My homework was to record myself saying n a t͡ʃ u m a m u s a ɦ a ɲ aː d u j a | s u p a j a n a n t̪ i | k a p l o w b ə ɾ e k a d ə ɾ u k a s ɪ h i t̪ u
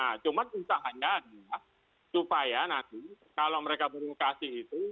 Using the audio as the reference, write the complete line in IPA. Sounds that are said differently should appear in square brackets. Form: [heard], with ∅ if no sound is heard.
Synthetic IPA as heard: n a t͡ʃ u m a [n] u s a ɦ a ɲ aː d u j a | s u p a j a n a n t̪ i | k a [∅] l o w [m] ə ɾ e k a [b] ə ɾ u k a s ɪ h i t̪ u